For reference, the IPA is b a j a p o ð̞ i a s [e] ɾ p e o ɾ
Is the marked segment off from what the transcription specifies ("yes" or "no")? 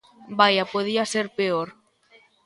no